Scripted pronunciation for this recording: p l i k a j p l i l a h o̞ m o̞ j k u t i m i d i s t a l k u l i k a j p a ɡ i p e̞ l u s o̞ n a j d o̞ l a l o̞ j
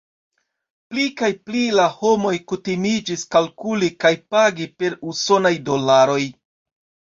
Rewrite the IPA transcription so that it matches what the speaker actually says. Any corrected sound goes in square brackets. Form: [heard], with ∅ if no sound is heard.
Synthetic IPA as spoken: p l i k a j p l i l a h o̞ m o̞ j k u t i m i [d͡ʒ] i s [k] a l k u l i k a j p a ɡ i p e̞ [ɾ] u s o̞ n a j d o̞ l a [ɾ] o̞ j